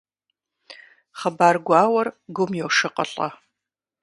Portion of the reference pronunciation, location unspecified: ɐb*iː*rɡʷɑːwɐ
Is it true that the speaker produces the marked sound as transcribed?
no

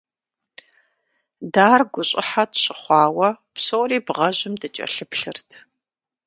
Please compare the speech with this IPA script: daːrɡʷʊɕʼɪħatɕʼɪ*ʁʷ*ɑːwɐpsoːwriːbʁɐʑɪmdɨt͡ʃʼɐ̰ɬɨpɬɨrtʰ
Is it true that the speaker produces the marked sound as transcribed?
no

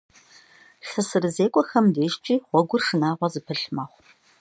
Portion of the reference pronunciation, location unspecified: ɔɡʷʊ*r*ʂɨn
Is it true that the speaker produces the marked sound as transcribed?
yes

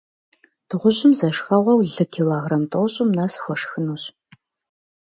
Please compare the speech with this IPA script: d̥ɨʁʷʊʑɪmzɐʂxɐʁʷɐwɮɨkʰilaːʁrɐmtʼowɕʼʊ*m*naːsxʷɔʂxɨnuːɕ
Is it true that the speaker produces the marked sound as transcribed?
yes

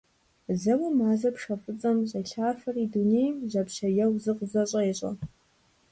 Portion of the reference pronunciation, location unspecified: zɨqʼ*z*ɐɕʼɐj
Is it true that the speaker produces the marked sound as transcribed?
yes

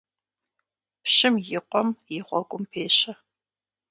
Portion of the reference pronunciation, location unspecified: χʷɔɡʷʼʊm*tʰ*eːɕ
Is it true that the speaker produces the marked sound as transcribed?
no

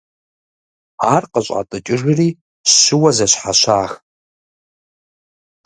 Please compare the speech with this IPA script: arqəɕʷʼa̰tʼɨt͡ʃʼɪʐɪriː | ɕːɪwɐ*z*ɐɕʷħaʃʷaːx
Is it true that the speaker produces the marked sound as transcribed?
yes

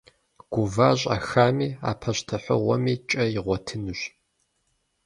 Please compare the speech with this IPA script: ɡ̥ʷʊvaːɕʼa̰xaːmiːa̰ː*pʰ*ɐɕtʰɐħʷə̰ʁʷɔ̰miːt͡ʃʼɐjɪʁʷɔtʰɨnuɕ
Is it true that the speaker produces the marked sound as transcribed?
yes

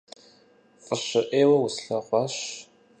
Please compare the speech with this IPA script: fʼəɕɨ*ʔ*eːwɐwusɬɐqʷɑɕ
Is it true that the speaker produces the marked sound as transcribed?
yes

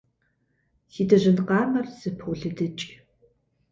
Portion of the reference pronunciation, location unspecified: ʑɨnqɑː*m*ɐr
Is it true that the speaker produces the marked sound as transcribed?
yes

